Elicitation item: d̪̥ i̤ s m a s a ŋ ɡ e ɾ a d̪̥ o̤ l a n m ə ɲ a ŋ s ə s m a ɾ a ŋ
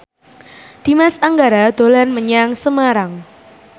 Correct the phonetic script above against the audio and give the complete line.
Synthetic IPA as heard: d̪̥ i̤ m a s a ŋ ɡ a ɾ a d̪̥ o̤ l a n m ə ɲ a ŋ s ə m a ɾ a ŋ